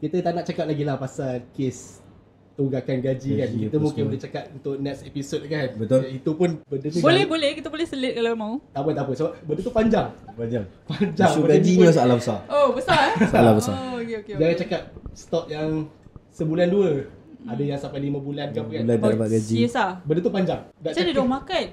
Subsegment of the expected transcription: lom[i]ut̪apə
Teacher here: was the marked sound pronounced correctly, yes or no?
no